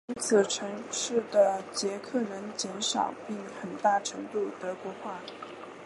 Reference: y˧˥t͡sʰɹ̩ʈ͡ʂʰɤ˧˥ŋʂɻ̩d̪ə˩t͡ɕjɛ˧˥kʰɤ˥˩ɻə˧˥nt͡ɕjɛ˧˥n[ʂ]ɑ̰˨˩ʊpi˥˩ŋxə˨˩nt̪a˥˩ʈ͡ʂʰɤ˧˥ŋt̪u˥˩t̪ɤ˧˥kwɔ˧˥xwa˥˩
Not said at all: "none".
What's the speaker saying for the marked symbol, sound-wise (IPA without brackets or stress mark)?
ʂ